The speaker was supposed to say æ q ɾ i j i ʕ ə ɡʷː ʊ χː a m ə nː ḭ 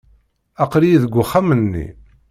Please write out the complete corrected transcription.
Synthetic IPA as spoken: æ q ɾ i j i ð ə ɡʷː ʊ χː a m ə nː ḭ